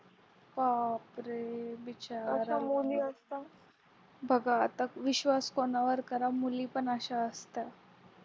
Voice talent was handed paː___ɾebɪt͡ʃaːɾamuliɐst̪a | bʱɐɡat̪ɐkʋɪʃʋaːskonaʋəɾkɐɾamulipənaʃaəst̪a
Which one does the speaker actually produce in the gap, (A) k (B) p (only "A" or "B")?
B